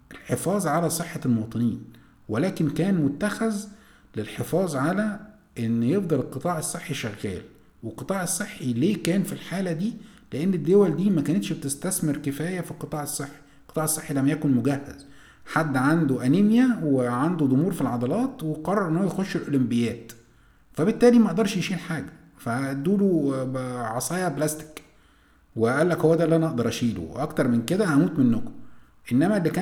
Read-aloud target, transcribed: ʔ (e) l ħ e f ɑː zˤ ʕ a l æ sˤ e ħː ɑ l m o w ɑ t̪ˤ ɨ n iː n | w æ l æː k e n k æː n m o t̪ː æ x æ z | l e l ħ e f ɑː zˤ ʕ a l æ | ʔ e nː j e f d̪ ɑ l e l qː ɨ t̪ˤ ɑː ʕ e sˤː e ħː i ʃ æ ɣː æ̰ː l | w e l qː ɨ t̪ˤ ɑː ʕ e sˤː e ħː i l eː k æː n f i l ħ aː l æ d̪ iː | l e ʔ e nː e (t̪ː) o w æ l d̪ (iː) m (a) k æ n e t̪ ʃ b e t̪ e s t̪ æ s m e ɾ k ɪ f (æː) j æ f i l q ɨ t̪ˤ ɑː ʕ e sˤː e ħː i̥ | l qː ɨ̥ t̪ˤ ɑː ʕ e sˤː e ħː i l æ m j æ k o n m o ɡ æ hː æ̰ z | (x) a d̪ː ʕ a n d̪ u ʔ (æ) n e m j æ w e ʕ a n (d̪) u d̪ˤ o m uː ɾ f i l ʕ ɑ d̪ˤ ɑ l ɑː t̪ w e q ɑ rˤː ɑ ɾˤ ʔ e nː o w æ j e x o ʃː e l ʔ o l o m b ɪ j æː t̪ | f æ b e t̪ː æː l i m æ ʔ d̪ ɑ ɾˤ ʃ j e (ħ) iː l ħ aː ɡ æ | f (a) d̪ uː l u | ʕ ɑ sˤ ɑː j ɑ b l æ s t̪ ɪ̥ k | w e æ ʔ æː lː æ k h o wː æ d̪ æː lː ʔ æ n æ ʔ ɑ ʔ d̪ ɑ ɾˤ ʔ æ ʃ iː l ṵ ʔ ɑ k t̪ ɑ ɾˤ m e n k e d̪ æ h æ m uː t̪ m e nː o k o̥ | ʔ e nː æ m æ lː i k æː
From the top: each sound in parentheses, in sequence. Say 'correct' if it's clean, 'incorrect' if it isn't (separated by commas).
correct, incorrect, correct, incorrect, correct, incorrect, correct, correct, incorrect, incorrect